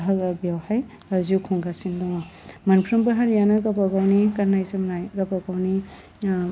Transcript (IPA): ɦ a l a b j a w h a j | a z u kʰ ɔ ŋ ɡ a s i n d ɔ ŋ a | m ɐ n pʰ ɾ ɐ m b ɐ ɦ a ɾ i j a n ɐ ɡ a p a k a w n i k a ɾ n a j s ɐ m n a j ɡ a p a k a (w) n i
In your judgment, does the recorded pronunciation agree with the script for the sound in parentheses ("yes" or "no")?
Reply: yes